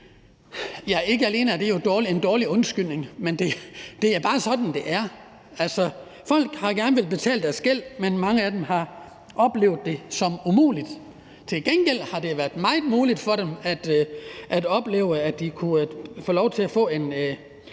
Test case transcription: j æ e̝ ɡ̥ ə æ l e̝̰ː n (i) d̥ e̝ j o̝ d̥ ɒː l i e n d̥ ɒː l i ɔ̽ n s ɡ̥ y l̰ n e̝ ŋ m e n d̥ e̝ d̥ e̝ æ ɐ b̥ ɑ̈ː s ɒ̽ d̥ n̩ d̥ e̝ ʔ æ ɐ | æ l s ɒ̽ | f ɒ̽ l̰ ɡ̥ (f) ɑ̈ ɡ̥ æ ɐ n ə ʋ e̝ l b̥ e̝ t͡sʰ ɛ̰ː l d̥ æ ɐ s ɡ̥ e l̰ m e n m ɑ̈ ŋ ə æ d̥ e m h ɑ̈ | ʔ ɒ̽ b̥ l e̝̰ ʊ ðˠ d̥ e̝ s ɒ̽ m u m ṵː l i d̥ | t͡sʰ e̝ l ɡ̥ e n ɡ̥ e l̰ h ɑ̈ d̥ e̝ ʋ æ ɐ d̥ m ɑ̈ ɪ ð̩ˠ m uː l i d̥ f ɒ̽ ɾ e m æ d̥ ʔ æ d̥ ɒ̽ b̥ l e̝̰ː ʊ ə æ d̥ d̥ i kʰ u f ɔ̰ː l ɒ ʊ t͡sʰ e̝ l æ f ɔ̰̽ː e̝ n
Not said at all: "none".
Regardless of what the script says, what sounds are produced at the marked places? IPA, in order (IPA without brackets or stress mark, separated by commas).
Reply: æ, h